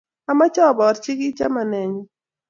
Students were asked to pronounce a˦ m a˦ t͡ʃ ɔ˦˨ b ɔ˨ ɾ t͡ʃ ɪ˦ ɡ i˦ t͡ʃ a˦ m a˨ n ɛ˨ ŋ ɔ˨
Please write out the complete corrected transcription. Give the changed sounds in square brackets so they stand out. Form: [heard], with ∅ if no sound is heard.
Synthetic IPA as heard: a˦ m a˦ t͡ʃ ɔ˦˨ b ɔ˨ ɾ t͡ʃ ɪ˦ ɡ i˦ t͡ʃ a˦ m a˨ n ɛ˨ [ɲ] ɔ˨